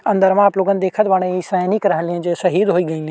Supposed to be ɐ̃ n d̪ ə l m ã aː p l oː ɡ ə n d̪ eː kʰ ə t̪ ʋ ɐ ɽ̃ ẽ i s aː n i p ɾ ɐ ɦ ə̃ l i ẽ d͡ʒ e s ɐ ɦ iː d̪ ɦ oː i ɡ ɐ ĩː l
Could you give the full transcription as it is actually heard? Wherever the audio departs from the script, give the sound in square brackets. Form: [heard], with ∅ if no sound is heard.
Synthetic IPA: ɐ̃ n d̪ ə [ɾ] m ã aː p l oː ɡ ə n d̪ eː kʰ ə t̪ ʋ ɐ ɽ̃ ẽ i s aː n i [k] ɾ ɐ ɦ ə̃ l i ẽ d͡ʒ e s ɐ ɦ iː d̪ ɦ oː i ɡ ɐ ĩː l